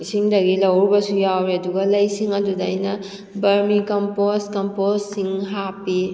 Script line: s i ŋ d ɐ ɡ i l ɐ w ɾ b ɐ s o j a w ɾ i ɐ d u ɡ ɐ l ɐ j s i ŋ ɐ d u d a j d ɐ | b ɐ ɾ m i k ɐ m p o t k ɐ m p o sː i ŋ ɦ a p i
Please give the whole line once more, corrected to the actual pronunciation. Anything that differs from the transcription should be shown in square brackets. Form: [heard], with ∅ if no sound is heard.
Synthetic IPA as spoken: s i ŋ d ɐ ɡ i l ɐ w ɾ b ɐ s [u] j a w ɾ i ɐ d u ɡ ɐ l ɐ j s i ŋ ɐ d u d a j [n] ɐ | b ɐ ɾ m i k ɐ m p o [s] k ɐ m p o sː i ŋ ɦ a p i